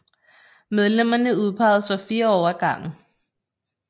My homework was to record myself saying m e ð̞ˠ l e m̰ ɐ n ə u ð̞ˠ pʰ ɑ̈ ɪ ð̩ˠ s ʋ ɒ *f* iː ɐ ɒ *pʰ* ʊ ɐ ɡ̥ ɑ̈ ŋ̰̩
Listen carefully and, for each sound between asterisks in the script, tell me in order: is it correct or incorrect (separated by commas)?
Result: correct, incorrect